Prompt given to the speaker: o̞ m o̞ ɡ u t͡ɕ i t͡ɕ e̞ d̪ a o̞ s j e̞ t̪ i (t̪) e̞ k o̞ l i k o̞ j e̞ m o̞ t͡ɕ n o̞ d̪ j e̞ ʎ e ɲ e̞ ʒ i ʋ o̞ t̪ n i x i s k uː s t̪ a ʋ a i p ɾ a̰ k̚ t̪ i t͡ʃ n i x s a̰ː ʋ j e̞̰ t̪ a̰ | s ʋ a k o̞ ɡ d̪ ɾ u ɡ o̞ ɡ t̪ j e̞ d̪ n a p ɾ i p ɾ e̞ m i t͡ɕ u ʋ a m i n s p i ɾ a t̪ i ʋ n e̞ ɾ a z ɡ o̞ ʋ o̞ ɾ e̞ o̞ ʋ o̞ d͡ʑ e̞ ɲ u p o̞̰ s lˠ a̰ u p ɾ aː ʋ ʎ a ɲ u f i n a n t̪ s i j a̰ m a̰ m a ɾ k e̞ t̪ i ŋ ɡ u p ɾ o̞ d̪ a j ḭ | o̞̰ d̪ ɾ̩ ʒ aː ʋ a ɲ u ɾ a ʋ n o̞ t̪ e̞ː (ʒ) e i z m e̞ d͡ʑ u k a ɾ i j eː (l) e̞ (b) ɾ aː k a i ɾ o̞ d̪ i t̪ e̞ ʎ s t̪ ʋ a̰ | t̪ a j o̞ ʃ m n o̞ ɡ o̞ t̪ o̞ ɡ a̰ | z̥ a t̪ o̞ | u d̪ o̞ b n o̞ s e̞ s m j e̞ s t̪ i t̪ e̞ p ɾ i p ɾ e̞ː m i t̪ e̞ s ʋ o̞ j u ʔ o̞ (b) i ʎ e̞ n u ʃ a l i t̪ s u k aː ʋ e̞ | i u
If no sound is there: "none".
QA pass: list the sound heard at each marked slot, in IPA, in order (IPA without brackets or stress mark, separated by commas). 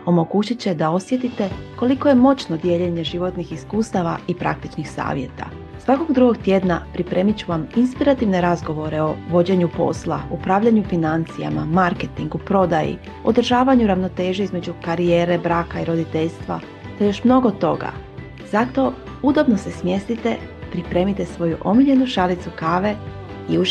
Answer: t̪, ʒ, ɾ, b, m